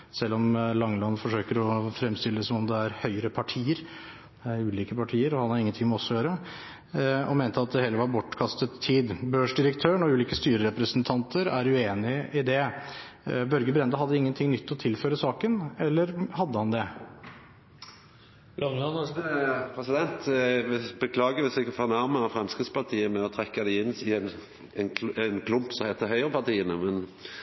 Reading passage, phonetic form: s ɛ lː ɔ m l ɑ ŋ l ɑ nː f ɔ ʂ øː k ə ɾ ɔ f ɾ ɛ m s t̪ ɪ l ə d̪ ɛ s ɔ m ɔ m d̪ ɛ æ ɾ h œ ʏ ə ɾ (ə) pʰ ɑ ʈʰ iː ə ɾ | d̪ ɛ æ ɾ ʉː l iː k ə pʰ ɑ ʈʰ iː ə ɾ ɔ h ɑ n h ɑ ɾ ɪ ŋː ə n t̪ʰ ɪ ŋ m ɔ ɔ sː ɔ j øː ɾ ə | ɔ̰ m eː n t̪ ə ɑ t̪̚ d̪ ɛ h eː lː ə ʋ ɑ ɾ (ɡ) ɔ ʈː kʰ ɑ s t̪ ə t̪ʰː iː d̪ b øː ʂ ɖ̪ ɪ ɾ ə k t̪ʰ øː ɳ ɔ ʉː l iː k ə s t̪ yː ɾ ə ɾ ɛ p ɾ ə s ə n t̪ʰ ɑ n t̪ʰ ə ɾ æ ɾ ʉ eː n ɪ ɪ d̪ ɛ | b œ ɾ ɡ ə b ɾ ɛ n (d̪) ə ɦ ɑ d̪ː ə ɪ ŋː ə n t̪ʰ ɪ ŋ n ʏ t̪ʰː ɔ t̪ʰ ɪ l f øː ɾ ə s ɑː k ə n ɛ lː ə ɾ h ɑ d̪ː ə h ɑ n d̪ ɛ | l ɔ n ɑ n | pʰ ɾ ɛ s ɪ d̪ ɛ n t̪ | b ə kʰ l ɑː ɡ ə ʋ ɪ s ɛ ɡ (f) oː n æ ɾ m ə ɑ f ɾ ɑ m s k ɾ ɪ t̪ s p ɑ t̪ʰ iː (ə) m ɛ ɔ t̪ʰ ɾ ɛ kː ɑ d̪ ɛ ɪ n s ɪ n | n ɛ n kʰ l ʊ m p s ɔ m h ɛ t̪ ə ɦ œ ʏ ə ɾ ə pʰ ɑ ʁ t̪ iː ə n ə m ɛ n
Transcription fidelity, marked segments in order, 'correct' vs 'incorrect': correct, incorrect: b, correct, correct, correct

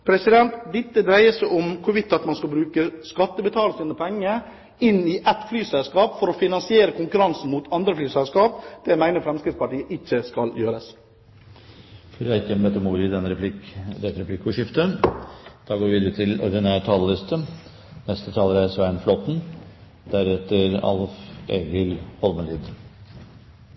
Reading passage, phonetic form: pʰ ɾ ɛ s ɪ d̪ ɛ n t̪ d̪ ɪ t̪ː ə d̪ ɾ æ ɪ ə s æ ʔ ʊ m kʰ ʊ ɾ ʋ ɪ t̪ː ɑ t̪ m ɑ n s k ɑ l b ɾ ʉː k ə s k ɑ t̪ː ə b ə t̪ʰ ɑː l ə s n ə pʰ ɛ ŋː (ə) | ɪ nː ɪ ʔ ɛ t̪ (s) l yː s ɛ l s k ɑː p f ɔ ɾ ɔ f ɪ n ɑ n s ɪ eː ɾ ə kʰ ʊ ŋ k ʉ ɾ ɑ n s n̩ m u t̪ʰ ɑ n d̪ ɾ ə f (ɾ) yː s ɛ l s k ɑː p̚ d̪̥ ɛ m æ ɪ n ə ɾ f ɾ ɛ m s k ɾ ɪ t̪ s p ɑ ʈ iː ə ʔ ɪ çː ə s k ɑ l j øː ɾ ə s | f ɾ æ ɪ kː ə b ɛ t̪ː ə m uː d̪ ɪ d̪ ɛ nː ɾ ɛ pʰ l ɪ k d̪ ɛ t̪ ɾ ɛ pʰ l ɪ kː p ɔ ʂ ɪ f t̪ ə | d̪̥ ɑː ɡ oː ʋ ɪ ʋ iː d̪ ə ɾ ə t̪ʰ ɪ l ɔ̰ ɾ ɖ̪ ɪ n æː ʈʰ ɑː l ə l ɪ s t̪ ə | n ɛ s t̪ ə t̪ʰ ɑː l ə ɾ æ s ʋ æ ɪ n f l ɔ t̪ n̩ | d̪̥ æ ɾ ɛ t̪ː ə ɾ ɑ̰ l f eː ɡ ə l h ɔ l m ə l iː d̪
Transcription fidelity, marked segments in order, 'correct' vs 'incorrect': correct, incorrect: f, incorrect: l

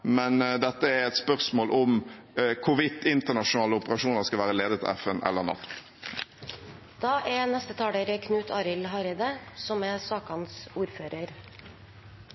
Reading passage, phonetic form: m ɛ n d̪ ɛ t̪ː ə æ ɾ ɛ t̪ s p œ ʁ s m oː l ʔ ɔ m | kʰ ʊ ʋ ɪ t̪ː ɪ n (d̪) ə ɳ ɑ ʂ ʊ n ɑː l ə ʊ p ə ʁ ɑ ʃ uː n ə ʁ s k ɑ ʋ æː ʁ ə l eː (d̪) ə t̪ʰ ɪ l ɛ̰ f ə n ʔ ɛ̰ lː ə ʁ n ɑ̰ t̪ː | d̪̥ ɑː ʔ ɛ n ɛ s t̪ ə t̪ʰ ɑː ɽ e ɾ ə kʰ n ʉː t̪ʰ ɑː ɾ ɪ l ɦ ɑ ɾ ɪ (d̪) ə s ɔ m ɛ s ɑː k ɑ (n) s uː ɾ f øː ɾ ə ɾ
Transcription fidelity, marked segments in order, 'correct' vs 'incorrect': incorrect: t̪, correct, correct, correct

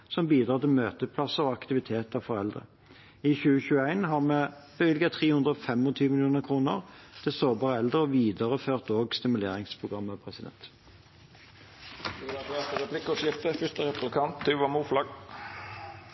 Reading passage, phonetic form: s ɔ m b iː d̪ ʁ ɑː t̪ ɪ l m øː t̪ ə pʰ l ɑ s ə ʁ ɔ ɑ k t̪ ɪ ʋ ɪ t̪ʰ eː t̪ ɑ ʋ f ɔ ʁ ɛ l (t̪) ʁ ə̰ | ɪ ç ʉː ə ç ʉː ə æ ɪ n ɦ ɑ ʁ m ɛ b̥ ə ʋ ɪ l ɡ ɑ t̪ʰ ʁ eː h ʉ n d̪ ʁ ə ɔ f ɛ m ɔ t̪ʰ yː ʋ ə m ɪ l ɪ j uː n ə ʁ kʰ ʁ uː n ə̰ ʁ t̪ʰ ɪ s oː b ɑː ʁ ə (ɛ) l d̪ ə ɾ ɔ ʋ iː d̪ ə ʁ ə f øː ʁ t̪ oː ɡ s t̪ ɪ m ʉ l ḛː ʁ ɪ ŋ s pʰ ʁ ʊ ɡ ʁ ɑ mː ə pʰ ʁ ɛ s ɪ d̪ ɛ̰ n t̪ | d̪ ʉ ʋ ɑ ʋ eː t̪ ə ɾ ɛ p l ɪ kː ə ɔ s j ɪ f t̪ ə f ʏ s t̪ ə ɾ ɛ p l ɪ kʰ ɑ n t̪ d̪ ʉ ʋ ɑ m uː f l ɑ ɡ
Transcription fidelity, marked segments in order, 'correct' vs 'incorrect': incorrect: d̪, correct

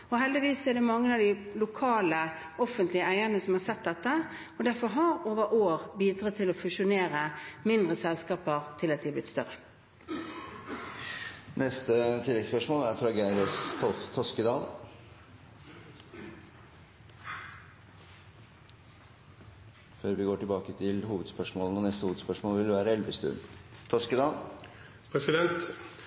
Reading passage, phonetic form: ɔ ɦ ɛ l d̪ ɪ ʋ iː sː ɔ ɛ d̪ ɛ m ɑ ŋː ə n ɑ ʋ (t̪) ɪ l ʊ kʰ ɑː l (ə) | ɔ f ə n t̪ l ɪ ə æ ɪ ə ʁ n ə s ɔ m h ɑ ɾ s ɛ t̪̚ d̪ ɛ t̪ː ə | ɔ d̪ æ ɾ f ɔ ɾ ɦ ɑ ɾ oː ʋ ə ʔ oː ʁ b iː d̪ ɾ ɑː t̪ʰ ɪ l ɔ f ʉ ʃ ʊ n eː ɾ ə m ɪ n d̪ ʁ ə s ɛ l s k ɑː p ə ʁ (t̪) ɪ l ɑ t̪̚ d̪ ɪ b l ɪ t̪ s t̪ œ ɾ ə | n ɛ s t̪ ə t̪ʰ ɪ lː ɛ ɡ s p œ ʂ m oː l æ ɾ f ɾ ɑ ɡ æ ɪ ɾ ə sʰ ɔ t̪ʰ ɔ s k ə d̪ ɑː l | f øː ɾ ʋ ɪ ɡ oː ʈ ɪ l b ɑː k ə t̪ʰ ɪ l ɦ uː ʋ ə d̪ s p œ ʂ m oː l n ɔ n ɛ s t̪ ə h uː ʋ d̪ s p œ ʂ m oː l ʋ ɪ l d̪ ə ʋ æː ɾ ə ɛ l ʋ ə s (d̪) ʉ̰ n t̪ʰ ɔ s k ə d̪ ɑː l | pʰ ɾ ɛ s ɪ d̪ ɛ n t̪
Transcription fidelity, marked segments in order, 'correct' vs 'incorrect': incorrect: d̪, correct, incorrect: t̪ʰ, incorrect: t̪

